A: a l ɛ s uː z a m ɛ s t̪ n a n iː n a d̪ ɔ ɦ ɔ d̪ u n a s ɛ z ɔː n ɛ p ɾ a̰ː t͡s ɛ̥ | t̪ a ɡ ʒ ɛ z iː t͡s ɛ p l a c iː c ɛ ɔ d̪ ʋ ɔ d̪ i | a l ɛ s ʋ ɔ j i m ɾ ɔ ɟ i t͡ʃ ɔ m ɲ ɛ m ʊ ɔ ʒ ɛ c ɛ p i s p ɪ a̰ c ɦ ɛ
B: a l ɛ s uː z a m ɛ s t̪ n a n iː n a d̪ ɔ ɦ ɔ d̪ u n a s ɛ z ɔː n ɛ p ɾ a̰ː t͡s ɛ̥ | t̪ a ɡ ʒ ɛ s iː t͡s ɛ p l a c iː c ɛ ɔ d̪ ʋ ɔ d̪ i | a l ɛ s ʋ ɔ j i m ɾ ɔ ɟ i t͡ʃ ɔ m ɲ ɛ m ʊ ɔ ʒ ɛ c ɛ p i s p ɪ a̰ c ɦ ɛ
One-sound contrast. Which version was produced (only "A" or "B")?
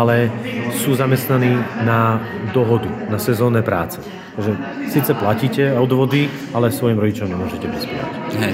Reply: B